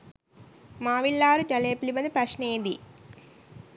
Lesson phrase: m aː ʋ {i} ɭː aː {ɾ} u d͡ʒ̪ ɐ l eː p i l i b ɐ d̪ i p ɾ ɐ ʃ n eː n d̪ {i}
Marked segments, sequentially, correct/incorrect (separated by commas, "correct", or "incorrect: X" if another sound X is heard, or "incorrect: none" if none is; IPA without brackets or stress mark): correct, correct, correct